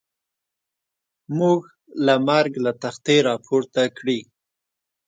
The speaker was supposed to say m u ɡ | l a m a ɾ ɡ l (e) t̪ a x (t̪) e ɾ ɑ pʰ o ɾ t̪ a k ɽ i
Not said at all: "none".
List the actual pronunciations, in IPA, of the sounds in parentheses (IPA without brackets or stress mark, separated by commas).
a, t̪